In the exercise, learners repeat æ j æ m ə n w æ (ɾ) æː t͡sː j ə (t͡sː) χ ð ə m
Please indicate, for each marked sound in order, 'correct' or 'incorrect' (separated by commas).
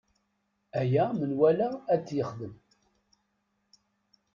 incorrect, incorrect